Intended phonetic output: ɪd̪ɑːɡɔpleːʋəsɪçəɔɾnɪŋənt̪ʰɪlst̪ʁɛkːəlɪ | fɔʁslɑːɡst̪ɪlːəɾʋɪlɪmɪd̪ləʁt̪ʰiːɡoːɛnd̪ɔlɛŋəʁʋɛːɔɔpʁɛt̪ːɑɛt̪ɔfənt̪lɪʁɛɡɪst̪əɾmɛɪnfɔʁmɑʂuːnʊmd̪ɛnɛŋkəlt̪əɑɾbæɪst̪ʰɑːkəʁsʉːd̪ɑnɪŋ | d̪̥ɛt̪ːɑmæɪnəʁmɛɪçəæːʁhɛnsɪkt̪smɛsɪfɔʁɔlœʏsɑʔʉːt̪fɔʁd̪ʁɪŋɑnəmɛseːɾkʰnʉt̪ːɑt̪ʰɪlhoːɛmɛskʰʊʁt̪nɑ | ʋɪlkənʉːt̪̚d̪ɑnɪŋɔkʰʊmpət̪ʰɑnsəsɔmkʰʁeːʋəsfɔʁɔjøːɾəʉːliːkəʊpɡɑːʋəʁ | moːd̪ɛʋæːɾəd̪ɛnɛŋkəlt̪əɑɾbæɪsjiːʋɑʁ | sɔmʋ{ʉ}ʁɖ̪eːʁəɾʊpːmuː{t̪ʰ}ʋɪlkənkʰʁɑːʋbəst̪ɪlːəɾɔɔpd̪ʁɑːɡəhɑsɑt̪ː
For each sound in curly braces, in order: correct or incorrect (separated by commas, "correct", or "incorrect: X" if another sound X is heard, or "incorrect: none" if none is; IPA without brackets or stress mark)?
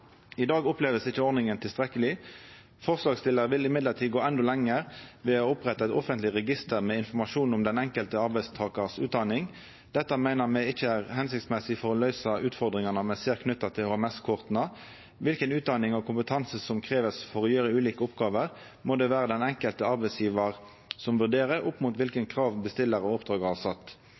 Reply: correct, incorrect: t̪